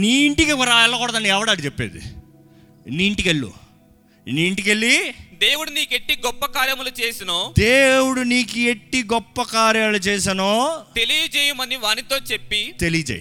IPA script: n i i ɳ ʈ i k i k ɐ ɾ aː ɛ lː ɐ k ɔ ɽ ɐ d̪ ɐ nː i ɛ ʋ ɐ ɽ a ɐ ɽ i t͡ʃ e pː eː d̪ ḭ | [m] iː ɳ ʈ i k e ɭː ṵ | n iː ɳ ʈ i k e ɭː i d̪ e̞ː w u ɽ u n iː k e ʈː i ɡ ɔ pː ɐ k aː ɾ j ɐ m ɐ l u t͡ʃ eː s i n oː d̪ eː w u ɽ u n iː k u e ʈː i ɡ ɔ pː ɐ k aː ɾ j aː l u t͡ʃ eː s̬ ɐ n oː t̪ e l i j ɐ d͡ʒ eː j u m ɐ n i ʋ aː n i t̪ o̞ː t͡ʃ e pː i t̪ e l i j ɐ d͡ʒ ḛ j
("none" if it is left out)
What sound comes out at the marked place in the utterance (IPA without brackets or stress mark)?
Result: n